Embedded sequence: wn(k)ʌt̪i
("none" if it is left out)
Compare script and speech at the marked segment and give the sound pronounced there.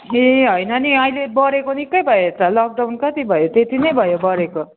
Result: k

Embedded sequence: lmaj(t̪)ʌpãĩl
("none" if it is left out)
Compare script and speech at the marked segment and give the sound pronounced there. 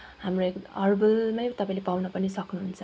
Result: t̪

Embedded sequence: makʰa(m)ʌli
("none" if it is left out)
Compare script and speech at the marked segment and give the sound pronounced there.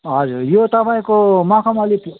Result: m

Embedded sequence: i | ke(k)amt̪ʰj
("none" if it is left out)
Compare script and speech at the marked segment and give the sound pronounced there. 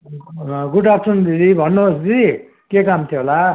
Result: k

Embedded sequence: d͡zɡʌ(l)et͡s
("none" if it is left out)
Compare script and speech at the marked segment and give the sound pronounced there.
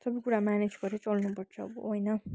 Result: ɾ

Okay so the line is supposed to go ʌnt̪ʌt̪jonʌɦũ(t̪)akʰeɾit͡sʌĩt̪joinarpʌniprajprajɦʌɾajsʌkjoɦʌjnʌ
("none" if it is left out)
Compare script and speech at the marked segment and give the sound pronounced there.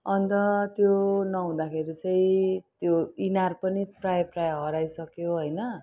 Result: d̪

